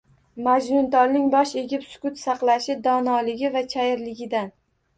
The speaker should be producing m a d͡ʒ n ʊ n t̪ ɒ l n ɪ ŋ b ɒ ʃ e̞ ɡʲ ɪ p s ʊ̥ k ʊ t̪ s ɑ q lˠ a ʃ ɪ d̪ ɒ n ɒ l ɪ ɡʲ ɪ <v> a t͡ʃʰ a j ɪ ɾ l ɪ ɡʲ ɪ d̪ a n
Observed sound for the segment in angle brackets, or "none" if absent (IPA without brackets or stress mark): v